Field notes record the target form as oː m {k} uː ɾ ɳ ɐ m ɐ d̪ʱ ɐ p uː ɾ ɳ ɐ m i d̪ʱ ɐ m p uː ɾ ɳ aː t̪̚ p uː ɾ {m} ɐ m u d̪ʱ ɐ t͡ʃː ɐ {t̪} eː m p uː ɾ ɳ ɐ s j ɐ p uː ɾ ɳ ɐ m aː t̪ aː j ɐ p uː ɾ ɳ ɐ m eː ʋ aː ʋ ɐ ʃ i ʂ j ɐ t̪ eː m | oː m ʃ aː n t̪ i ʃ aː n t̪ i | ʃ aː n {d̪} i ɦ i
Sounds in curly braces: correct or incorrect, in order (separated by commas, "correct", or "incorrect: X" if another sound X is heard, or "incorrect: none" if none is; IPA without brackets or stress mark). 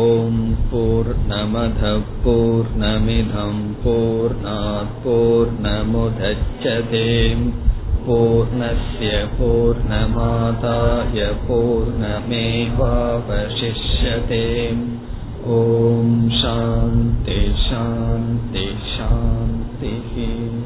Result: incorrect: p, incorrect: ɳ, correct, incorrect: t̪